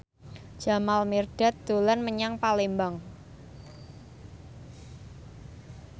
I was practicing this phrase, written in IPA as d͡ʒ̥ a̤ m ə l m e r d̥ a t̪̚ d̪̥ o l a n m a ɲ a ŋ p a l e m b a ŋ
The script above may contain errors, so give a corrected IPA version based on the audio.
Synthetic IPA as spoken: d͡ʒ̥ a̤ m a l m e r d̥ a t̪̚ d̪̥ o l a n m ə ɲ a ŋ p a l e m b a ŋ